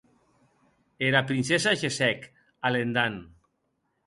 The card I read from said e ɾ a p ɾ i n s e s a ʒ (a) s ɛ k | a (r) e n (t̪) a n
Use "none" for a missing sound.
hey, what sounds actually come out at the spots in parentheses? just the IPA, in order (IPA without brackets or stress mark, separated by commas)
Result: e, l, d̪